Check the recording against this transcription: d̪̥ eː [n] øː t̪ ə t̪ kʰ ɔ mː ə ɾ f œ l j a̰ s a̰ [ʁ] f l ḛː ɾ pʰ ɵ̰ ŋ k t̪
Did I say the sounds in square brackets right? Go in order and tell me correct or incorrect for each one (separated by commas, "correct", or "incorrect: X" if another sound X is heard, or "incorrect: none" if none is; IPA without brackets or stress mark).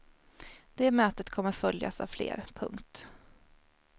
incorrect: m, incorrect: v